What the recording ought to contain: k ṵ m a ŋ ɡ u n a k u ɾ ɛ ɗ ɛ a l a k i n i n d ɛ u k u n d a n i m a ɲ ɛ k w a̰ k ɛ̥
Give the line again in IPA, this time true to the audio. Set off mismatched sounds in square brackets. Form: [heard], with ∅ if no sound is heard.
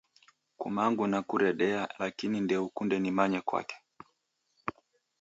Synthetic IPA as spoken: k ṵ m a ŋ ɡ u n a k u ɾ ɛ ɗ ɛ a l a k i n i n d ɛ u k u n d [ɛ] n i m a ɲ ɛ k w a̰ k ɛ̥